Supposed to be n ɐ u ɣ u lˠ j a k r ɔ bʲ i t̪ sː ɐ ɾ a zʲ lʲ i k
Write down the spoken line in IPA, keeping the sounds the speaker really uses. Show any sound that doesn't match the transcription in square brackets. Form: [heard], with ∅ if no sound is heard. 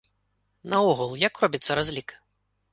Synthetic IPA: n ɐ [ɔ] ɣ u lˠ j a k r ɔ bʲ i t̪ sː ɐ ɾ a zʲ lʲ i k